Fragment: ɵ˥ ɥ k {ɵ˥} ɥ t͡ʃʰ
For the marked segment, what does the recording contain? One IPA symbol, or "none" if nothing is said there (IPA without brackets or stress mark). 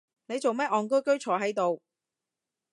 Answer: ɵ˥